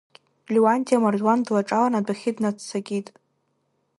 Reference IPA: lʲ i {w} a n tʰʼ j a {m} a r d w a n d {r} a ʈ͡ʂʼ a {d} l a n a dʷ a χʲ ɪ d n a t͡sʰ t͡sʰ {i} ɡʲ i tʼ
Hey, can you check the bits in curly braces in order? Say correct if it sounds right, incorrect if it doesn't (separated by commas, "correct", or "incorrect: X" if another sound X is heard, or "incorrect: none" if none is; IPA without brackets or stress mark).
correct, correct, incorrect: l, incorrect: none, incorrect: a